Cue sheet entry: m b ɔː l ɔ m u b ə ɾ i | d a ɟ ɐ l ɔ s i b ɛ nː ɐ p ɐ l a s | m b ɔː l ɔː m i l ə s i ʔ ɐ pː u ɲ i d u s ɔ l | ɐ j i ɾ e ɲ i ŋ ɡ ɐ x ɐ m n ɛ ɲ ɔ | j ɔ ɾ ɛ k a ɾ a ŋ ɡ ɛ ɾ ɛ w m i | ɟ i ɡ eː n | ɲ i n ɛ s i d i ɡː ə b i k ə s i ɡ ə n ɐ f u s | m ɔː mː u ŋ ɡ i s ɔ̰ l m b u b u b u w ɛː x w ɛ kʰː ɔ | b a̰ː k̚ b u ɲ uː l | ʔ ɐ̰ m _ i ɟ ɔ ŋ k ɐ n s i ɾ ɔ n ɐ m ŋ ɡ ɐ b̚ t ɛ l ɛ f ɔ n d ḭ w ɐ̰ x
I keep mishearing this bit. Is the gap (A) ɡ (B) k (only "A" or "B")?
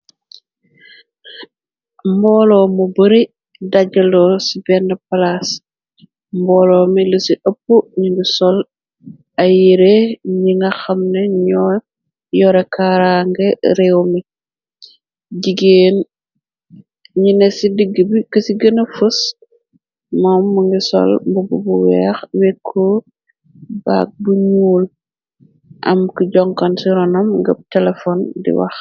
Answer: B